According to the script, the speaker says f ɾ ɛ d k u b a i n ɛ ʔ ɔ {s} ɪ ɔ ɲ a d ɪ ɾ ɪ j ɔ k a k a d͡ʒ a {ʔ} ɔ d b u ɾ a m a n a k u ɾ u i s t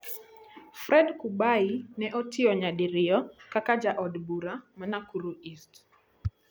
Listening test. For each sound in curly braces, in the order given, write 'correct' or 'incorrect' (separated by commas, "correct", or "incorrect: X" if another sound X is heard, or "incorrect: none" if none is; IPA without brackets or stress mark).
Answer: incorrect: t, correct